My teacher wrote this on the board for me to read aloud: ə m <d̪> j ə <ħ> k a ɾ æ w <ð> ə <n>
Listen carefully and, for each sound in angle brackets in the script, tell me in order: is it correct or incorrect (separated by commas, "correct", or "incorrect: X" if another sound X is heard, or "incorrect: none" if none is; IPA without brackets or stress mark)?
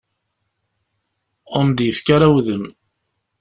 correct, incorrect: f, correct, incorrect: m